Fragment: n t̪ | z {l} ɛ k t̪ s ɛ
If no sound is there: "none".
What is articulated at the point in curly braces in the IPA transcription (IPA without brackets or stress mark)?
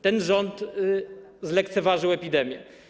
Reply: l